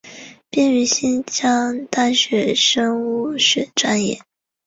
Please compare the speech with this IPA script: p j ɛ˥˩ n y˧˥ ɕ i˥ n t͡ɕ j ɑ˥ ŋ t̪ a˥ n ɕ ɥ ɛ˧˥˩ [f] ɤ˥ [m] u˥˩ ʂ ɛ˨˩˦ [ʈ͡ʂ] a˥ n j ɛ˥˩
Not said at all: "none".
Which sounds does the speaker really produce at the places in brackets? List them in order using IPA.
ʂ, ŋ, ʈ͡ʂ

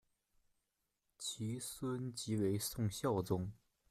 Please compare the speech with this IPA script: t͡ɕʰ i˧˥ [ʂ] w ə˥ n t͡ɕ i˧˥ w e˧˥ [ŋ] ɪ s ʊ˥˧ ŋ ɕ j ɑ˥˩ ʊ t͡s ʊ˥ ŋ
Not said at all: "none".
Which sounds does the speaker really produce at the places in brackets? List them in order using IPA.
s, none

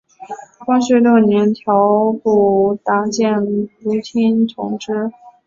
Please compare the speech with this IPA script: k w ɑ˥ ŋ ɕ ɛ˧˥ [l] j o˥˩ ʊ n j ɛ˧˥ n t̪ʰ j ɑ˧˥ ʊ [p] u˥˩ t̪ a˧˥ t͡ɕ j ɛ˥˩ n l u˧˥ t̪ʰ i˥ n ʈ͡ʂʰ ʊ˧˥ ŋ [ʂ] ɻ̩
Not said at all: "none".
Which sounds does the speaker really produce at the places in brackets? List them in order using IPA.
l, p, ʈ͡ʂ

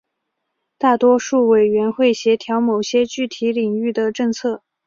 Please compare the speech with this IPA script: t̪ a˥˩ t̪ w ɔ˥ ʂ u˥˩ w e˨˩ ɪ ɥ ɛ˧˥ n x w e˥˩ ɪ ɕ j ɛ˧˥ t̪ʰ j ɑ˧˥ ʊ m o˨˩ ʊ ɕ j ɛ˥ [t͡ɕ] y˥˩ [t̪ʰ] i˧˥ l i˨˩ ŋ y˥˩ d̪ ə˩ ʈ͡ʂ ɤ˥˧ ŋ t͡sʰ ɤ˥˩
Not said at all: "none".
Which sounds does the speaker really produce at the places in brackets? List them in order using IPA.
t͡ɕ, t̪ʰ

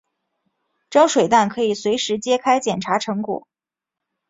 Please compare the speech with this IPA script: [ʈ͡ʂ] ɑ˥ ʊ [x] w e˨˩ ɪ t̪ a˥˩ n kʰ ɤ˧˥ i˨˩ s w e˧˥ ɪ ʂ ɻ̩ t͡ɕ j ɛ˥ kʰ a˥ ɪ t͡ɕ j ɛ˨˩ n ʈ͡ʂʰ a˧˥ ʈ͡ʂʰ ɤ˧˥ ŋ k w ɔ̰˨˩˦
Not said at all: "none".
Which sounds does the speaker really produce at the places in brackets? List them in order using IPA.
ʈ͡ʂ, ʂ

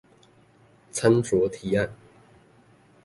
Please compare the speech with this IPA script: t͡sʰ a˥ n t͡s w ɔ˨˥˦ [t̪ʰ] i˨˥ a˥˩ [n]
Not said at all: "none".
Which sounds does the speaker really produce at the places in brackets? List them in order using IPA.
t̪ʰ, n

